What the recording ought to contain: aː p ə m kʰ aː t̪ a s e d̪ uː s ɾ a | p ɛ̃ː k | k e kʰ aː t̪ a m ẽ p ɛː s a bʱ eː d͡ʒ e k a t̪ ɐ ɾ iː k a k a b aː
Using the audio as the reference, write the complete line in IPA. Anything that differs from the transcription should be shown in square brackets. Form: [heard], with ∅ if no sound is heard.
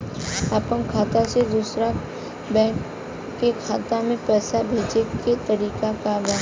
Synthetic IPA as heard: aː p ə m kʰ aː t̪ a s e d̪ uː s ɾ a | [b] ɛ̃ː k | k e kʰ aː t̪ a m ẽ p ɛː s a bʱ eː d͡ʒ e k [e] t̪ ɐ ɾ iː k a k a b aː